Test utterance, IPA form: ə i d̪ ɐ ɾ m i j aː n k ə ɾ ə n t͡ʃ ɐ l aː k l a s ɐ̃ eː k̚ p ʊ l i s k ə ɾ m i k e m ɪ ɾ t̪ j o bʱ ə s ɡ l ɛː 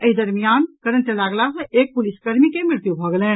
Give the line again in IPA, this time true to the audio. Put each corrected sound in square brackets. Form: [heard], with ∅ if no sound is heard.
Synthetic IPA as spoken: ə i d̪ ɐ ɾ m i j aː n k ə ɾ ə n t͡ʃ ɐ l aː [ɡ] l a s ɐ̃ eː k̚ p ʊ l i s k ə ɾ m i k e m ɪ ɾ t̪ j [u] bʱ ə [∅] ɡ l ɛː